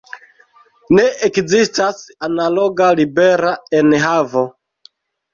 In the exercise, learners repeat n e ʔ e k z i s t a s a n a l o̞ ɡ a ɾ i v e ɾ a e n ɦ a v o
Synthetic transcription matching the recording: n e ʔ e k z i s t a s a n a l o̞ ɡ a l i b e ɾ a e n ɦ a v o